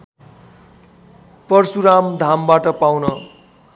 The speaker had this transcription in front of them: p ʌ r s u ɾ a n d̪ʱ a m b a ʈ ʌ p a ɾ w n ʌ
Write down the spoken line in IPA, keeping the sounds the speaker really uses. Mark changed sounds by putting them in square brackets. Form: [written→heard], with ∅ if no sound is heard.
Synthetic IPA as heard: p ʌ r s u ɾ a [n→m] d̪ʱ a m b a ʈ ʌ p a [ɾ→∅] w n ʌ